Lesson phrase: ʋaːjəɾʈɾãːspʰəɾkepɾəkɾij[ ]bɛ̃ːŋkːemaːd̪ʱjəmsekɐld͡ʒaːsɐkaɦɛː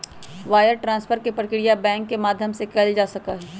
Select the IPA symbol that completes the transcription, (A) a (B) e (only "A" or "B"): A